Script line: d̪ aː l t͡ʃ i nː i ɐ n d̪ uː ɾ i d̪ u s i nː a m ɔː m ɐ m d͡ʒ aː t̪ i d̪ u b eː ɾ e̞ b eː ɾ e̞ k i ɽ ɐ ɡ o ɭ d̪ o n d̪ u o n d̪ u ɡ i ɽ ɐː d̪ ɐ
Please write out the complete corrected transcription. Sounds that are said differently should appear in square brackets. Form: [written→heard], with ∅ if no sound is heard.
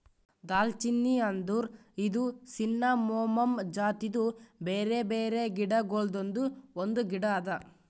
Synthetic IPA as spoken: d̪ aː l t͡ʃ i nː i ɐ n d̪ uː ɾ i d̪ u s i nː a m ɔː m ɐ m d͡ʒ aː t̪ i d̪ u b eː ɾ e̞ b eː ɾ e̞ [k→ɡ] i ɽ ɐ ɡ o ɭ d̪ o n d̪ u o n d̪ u ɡ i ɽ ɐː d̪ ɐ